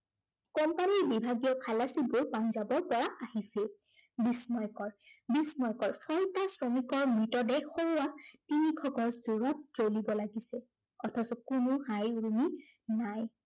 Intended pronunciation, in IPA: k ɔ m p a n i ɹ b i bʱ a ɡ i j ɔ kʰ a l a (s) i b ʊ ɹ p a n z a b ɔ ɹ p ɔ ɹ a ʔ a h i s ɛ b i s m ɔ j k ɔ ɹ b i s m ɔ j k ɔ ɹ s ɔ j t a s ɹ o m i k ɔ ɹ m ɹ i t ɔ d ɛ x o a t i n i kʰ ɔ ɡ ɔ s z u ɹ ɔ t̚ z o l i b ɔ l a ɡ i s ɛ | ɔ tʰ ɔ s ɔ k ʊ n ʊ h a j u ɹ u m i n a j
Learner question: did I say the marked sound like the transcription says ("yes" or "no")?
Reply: yes